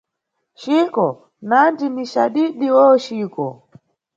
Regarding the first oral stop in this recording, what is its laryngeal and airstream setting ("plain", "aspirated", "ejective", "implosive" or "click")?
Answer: plain